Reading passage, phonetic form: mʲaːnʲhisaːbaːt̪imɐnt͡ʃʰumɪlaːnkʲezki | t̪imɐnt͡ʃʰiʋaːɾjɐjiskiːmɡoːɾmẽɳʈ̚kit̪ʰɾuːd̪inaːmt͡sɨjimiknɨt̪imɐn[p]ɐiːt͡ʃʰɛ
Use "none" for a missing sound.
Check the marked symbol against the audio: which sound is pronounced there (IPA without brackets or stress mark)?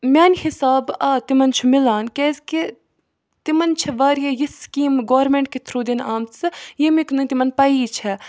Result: p